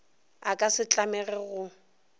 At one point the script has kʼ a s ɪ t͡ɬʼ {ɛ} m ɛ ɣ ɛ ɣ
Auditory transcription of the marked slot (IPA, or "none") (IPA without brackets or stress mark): a